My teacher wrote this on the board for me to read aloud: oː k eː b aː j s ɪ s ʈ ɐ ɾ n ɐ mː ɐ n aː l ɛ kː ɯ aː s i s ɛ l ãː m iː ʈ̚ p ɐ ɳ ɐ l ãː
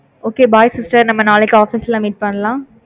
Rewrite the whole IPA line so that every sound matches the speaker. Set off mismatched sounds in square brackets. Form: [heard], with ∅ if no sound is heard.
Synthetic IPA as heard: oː k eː b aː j s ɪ s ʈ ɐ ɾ n ɐ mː ɐ n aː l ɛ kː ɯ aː [f] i s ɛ l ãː m iː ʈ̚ p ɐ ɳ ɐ l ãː